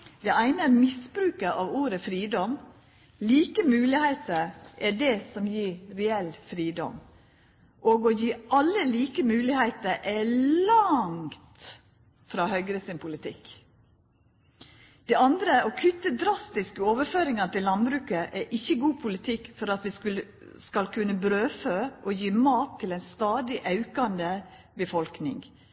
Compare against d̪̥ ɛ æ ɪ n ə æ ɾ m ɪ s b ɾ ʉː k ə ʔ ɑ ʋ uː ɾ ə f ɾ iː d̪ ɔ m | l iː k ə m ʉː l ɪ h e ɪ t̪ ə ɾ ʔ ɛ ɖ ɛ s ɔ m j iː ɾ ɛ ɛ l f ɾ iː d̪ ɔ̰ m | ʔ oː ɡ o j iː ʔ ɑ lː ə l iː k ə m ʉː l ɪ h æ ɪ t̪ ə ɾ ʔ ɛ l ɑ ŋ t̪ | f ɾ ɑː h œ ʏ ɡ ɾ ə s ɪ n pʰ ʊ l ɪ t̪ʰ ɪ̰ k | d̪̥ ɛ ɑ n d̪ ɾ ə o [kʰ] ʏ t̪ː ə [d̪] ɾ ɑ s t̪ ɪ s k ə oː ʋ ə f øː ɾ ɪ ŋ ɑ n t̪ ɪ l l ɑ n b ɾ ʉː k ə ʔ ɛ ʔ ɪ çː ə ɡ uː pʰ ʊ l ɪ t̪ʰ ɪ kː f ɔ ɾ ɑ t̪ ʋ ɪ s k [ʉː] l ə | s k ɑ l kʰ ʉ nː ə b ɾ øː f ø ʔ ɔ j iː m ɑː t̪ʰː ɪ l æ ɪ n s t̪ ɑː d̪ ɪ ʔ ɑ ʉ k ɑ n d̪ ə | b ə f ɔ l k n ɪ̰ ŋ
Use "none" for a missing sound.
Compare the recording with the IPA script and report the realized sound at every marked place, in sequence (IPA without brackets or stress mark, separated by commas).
kʰ, d̪, ʉ